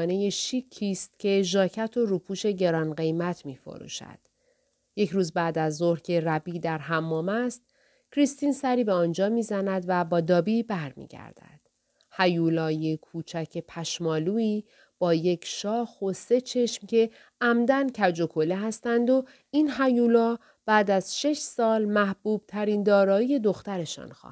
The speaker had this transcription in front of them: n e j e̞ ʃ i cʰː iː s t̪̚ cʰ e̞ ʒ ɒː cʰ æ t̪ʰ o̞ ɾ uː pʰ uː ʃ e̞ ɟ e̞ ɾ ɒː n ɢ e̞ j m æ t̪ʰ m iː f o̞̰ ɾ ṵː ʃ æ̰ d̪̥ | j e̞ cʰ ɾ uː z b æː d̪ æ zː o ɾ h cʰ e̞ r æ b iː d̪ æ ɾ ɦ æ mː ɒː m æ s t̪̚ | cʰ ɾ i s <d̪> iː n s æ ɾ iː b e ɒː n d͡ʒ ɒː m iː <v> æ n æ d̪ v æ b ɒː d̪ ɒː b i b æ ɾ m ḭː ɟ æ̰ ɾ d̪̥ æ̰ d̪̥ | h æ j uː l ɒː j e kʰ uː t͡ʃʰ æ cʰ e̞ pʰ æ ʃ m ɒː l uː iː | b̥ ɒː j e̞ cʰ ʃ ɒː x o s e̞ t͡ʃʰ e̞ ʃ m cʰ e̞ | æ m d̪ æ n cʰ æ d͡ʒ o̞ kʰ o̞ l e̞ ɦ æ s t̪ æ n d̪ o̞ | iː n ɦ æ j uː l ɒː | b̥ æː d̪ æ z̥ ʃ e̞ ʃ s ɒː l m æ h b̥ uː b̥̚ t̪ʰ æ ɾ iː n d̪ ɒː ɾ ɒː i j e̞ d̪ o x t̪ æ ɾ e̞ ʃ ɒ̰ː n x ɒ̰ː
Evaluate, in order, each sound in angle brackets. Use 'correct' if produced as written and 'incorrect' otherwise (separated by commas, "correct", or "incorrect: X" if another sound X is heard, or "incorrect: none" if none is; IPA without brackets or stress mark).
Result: incorrect: t̪, incorrect: z